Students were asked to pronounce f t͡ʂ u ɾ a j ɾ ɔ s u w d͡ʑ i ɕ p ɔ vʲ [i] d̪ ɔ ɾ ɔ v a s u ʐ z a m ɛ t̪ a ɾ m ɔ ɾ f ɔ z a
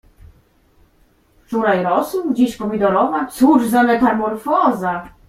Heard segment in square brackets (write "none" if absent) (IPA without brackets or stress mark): i